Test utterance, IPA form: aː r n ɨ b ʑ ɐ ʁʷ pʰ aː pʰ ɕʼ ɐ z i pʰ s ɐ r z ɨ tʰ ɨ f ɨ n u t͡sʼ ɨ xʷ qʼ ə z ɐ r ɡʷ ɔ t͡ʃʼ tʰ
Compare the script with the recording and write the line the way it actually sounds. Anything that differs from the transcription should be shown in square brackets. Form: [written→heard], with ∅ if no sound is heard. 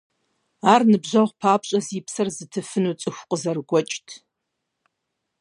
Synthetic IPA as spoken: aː r n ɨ b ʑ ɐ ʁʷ pʰ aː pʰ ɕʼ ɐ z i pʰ s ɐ r z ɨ tʰ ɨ f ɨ n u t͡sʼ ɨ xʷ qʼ ə z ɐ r ɡʷ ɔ t͡ʃʼ tʰ